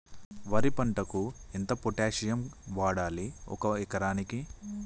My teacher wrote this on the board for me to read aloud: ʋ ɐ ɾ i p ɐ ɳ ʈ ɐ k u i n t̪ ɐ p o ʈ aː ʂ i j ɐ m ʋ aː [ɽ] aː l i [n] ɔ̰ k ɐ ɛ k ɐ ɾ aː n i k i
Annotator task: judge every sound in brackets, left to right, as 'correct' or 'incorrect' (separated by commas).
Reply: correct, incorrect